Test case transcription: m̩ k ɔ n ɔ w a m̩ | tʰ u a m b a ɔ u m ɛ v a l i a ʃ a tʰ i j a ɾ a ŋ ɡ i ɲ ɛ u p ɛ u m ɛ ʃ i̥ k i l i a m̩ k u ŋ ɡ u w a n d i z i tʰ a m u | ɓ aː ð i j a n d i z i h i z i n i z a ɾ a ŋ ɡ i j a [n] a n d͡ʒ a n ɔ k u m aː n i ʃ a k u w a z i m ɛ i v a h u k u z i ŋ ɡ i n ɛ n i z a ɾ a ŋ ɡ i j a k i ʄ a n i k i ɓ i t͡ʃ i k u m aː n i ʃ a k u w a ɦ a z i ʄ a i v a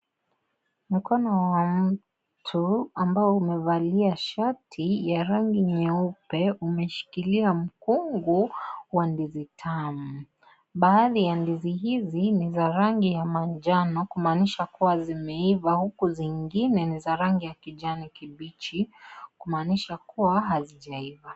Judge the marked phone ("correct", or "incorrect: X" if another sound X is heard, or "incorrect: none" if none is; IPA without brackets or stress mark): incorrect: m